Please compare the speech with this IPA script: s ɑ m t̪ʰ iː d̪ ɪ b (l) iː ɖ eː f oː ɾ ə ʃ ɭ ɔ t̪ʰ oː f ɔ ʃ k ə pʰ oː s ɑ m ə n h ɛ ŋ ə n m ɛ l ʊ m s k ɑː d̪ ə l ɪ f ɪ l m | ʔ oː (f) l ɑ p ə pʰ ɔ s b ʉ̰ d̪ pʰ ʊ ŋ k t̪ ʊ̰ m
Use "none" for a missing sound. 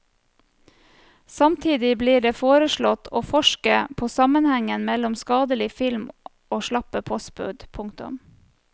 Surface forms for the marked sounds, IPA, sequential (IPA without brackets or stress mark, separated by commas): l, ʃ